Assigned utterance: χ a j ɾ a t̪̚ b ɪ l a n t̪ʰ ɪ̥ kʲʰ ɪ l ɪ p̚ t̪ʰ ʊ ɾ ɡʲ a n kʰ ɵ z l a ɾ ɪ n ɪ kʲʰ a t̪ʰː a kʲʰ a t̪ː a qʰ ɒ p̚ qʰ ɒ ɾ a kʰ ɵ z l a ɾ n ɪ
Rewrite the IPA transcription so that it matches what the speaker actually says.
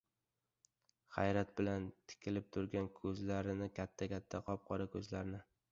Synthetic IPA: χ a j ɾ a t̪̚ b ɪ l a n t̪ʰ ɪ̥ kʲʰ ɪ l ɪ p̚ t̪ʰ ʊ ɾ ɡʲ a n kʰ ɵ z l a ɾ ɪ n ɪ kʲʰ a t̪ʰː a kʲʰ a t̪ʰː a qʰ ɒ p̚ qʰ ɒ ɾ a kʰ ɵ z l a ɾ n ɪ